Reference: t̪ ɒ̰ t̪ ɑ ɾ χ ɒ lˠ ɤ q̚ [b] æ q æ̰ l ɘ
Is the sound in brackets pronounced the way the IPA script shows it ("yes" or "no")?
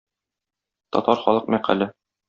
no